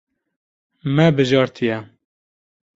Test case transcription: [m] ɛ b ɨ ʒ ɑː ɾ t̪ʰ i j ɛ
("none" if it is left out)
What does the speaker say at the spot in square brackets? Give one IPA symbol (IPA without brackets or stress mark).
m